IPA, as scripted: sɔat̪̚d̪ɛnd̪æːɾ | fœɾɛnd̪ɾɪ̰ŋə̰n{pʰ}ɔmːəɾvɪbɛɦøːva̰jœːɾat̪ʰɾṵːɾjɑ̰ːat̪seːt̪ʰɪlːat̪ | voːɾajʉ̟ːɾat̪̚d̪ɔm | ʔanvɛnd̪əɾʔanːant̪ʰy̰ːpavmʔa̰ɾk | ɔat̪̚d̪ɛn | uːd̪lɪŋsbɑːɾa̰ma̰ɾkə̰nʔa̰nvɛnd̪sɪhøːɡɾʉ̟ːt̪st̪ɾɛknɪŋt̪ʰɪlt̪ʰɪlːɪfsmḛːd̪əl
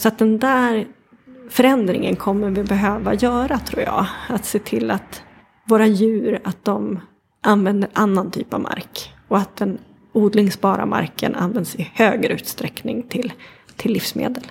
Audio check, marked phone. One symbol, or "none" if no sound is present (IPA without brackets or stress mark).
kʰ